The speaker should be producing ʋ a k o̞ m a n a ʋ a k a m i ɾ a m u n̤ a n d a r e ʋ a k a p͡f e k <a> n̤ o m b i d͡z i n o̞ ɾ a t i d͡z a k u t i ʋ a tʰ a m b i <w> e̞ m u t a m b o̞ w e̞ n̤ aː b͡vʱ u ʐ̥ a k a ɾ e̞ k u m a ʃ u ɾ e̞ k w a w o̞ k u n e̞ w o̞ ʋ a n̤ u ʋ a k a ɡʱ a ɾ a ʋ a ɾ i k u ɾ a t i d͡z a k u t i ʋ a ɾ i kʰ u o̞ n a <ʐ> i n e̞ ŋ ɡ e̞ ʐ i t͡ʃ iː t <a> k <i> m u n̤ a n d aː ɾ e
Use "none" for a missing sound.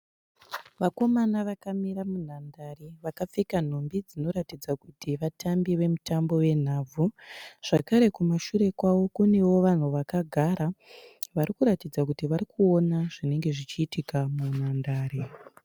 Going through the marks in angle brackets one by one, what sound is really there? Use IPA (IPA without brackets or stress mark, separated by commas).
a, ʋ, ʐ, i, a